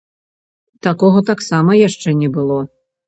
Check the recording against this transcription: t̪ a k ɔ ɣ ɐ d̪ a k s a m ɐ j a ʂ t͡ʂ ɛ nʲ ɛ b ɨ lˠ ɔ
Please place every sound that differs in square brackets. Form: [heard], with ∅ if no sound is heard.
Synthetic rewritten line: t̪ a k ɔ ɣ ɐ [t̪] a k s a m ɐ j a ʂ t͡ʂ ɛ nʲ ɛ b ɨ lˠ ɔ